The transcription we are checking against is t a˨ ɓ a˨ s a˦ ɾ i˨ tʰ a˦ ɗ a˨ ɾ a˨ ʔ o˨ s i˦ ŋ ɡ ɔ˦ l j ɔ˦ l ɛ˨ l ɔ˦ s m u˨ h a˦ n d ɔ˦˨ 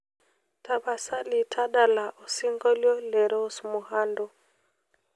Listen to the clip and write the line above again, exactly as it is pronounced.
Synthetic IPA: t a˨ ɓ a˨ s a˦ l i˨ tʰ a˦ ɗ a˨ l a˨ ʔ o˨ s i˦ ŋ ɡ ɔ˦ l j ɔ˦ l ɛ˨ ɾ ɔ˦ s m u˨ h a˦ n d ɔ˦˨